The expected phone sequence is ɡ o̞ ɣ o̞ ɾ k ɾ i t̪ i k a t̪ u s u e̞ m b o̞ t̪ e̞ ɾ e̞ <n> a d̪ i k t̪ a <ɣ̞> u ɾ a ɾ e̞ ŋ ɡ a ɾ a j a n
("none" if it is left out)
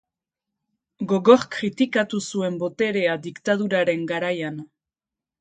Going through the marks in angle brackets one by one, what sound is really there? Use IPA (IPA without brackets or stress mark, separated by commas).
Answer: none, ð̞